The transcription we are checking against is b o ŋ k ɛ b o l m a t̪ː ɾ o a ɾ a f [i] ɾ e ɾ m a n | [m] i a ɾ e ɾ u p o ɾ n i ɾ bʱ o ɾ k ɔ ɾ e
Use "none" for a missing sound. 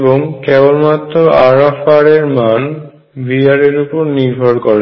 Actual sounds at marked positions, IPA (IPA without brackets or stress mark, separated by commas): a, b